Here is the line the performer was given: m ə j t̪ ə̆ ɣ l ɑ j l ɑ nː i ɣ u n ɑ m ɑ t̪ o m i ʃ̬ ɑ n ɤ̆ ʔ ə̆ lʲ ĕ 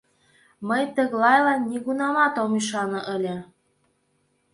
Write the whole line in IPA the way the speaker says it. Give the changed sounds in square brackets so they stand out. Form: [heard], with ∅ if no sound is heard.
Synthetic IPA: m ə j t̪ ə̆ ɣ l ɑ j l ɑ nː i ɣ u n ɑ m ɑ t̪ o m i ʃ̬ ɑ n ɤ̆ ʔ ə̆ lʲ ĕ